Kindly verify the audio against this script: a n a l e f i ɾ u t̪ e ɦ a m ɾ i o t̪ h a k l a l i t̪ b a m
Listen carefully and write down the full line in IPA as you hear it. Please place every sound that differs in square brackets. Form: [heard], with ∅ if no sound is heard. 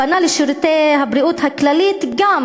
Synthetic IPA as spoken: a n a l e [ʃ] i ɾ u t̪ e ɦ a [b] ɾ i [u] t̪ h a k l a l i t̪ [ɡ] a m